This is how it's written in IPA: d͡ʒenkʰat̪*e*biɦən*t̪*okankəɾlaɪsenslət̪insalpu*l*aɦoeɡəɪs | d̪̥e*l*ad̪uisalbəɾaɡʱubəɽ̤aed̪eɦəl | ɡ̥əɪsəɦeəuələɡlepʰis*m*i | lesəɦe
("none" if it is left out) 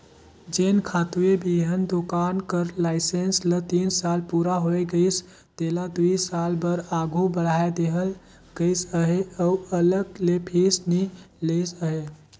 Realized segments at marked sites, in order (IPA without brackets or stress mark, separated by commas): e, d̪, ɾ, l, n